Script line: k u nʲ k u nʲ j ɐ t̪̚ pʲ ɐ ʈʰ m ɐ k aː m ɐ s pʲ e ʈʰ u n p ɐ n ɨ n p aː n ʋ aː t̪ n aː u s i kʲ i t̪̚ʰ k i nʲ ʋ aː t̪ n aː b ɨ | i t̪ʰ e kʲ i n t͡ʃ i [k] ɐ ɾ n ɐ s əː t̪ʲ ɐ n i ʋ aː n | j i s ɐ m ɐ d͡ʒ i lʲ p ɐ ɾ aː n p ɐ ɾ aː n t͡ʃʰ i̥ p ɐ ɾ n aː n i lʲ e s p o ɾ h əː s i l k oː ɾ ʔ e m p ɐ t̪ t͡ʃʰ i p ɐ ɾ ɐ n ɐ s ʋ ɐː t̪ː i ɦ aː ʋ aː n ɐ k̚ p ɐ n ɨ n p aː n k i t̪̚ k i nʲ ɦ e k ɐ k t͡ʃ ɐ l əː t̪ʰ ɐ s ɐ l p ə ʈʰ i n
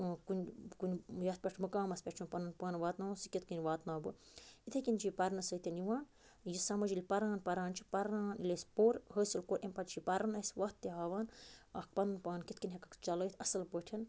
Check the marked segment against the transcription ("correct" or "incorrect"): incorrect